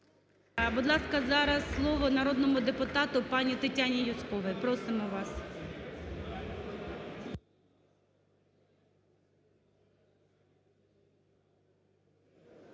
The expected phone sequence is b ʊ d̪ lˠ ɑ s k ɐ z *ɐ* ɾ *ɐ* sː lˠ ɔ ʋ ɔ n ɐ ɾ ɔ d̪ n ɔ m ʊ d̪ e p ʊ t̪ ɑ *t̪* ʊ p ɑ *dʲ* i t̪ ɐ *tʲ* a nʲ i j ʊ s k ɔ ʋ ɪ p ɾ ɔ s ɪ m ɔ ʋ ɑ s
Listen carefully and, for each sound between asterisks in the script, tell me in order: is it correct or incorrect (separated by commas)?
incorrect, correct, correct, incorrect, correct